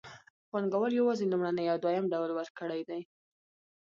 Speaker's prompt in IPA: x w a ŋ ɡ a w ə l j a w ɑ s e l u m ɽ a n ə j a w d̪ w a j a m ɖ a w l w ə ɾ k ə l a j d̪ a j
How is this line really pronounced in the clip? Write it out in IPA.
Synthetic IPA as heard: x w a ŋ ɡ a w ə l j a w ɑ z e l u m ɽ a n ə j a w d̪ w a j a m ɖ a w l w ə ɾ k ə ɽ a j d̪ a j